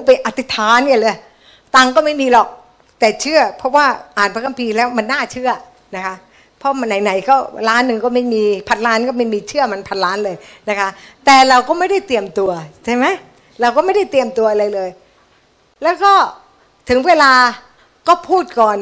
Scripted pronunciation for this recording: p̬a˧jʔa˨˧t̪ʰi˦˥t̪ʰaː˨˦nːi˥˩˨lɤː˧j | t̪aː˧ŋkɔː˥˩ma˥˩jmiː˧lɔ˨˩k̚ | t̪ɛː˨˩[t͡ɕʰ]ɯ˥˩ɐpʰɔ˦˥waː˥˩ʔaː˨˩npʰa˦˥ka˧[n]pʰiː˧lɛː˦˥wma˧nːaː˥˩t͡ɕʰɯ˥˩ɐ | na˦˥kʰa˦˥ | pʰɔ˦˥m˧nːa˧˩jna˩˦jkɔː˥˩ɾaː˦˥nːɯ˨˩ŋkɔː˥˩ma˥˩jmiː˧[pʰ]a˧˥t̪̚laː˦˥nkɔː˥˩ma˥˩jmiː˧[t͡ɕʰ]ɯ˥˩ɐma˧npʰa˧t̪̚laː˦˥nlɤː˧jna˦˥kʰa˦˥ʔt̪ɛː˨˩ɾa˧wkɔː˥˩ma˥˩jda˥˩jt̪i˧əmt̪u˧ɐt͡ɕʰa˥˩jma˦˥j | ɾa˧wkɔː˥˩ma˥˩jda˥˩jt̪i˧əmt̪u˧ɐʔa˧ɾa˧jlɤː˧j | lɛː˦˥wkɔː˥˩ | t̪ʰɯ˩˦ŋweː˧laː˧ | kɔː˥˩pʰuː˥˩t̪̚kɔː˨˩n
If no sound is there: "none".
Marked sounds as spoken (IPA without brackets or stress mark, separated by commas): t͡ɕʰ, m, pʰ, t͡ɕʰ